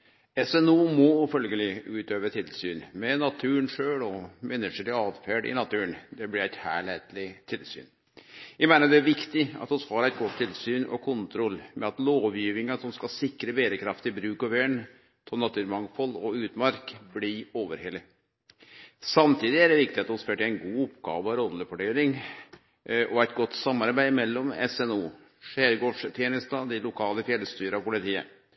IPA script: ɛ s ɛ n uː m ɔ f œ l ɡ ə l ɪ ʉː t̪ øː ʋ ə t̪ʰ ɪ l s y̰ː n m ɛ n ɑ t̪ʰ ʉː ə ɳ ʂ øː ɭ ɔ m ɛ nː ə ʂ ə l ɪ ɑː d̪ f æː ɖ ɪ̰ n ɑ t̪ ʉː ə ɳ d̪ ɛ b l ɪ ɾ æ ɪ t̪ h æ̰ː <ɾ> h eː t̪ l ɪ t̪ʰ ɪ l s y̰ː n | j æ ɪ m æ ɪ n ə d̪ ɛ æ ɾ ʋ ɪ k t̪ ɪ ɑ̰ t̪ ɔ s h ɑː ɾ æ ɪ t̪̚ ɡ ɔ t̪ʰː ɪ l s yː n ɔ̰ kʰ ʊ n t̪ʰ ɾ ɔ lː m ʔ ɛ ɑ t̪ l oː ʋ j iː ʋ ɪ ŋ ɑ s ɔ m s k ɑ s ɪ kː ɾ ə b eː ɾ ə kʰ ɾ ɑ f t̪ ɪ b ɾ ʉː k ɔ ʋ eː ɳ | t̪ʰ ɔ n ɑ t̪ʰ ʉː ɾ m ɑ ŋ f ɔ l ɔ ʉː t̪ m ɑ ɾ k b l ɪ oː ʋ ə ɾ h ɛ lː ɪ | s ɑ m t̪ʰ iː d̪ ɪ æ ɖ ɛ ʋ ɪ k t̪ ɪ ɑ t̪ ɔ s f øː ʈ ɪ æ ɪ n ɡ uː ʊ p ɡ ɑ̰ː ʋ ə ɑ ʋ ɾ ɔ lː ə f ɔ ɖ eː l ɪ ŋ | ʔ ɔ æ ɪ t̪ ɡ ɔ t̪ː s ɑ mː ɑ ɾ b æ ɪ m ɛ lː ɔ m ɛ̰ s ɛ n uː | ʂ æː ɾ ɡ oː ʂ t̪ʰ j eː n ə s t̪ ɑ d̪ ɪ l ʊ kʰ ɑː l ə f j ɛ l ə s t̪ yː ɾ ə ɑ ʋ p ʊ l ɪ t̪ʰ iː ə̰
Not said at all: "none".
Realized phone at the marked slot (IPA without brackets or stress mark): ɭ